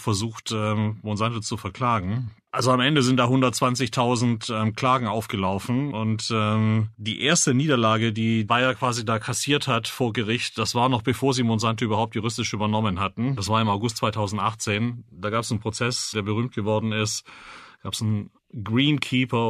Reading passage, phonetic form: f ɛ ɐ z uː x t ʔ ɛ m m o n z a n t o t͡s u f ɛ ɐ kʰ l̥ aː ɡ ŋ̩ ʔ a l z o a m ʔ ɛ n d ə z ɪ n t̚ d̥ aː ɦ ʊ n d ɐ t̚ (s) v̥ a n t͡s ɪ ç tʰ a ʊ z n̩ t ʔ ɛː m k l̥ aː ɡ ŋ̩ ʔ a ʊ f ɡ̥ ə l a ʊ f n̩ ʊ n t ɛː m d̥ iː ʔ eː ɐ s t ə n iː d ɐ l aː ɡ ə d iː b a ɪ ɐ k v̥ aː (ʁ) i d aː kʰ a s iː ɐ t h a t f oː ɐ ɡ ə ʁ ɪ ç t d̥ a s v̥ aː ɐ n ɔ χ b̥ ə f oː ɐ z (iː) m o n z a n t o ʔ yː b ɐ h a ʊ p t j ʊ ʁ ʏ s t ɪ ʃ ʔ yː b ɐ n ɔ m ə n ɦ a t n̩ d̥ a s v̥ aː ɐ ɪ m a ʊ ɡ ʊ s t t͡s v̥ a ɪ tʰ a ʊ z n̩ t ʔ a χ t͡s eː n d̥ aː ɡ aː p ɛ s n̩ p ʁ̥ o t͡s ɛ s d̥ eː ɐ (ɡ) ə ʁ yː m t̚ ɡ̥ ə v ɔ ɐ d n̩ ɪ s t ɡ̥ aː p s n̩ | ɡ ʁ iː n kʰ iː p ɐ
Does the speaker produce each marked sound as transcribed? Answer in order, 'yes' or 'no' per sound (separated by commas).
no, no, yes, no